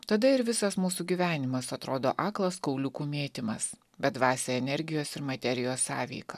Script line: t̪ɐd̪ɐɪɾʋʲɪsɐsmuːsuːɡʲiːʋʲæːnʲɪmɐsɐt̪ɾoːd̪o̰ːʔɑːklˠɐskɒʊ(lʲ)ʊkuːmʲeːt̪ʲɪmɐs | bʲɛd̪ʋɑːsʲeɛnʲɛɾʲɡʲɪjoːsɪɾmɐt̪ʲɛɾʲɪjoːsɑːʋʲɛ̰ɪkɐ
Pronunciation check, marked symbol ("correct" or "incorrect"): correct